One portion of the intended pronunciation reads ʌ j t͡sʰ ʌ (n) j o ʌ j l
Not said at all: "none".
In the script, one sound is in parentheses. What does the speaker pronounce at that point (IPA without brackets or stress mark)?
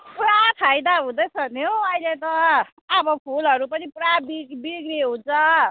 n